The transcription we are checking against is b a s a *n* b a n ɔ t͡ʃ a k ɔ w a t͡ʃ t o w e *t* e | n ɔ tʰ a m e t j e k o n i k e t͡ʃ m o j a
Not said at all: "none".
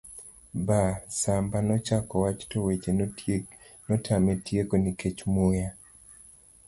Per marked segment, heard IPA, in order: m, t͡ʃ

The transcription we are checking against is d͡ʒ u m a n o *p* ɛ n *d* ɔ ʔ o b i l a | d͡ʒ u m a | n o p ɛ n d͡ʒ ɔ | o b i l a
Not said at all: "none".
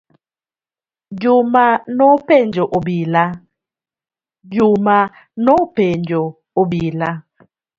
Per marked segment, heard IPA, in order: p, d͡ʒ

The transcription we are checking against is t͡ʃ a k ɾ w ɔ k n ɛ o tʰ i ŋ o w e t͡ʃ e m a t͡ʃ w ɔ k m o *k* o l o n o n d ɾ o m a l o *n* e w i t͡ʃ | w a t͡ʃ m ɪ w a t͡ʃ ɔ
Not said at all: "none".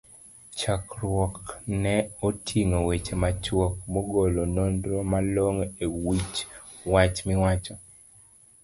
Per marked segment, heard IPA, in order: ɡ, ŋ

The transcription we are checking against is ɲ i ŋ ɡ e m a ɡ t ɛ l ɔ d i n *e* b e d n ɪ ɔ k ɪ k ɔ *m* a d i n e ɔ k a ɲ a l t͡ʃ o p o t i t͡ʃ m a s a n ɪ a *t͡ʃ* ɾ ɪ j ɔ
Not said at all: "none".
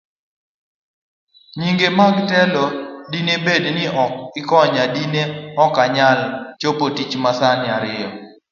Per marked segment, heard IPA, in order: e, ɲ, none

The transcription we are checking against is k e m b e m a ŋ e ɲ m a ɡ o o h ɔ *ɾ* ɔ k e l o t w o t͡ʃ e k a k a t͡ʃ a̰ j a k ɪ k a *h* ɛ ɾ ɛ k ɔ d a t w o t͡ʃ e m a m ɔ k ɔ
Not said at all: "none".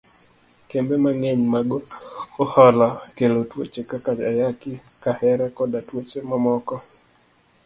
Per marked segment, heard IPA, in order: l, h

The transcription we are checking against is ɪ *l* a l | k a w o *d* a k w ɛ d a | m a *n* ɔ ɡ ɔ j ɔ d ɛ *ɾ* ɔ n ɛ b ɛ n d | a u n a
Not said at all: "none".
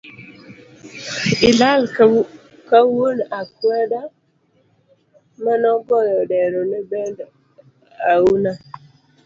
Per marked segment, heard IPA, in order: l, n, n, ɾ

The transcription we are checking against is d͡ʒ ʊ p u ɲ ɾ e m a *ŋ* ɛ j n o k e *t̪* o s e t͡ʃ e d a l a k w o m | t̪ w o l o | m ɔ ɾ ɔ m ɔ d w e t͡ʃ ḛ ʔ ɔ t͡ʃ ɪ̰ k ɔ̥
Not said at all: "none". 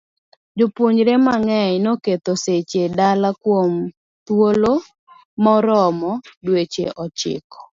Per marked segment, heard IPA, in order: ŋ, t̪

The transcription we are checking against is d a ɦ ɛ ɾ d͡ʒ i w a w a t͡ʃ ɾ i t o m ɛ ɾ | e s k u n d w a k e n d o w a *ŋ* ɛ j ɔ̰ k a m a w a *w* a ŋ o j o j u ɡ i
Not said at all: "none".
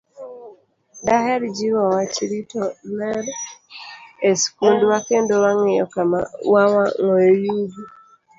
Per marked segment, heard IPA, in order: ŋ, w

